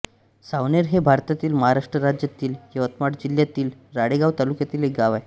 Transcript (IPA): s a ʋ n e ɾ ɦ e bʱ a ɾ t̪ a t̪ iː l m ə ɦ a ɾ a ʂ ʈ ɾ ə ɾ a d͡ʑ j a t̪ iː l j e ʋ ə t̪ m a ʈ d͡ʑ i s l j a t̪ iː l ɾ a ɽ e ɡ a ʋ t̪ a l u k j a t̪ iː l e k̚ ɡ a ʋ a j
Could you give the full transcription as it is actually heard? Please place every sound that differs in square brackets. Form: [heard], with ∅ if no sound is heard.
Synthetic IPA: s a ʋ n e ɾ ɦ e bʱ a ɾ t̪ a t̪ iː l m ə ɦ a ɾ a ʂ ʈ ɾ ə ɾ a d͡ʑ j a t̪ iː l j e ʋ ə t̪ m a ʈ d͡ʑ i [∅] l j a t̪ iː l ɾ a ɽ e ɡ a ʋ t̪ a l u k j a t̪ iː l e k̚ ɡ a ʋ a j